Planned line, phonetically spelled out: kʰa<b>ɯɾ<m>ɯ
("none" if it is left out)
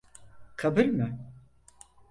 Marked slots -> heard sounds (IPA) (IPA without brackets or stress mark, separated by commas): b, m